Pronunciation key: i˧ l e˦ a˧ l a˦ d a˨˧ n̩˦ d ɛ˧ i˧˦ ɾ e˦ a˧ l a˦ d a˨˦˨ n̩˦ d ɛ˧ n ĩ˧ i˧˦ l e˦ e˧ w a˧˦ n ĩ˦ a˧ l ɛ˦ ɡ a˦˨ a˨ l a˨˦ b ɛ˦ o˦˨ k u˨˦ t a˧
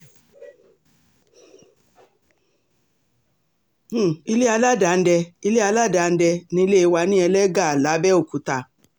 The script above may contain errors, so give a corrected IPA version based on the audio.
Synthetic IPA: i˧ l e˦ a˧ l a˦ d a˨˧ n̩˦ d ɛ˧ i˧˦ l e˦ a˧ l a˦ d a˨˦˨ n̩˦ d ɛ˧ n ĩ˧ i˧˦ l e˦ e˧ w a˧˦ n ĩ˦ ɛ˧ l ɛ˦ ɡ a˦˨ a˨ l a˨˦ b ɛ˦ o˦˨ k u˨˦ t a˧